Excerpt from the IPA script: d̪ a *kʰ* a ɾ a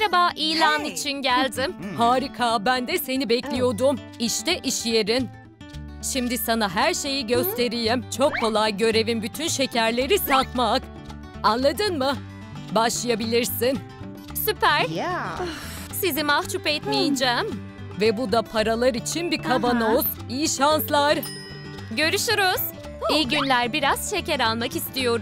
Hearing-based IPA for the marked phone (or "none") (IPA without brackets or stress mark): pʰ